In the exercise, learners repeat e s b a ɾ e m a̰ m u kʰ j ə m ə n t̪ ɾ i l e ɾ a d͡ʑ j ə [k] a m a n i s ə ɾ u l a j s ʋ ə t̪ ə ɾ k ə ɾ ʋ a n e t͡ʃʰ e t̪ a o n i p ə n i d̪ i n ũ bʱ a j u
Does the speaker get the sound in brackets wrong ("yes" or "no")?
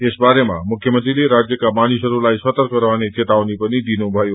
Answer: no